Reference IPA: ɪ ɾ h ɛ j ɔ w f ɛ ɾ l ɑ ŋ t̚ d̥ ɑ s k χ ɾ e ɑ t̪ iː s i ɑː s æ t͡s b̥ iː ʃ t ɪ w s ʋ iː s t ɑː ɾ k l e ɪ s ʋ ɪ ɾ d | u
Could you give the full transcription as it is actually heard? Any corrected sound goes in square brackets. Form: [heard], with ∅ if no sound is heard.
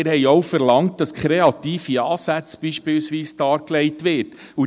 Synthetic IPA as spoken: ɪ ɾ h ɛ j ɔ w f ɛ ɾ l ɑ ŋ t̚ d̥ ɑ s k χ ɾ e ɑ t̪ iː [f] i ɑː s æ t͡s b̥ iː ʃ [p] ɪ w s ʋ iː s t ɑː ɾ k l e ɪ [t] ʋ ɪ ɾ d | u